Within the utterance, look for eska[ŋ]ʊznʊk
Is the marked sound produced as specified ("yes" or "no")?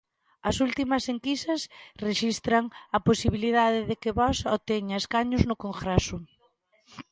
no